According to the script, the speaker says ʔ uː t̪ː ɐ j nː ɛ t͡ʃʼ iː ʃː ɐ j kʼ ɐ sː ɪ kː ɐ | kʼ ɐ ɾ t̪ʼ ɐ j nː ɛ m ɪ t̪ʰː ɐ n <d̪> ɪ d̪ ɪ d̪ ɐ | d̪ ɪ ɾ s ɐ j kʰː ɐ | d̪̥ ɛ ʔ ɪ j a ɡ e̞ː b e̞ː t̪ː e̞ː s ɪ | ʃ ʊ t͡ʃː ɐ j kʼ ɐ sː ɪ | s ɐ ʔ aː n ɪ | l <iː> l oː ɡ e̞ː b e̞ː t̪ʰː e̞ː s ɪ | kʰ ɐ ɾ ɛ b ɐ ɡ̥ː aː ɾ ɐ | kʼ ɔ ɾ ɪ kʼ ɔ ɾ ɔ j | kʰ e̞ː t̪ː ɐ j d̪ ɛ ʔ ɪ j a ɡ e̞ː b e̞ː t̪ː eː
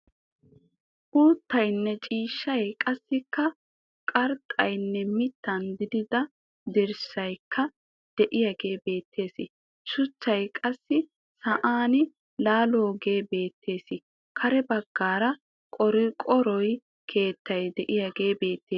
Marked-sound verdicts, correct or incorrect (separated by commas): correct, incorrect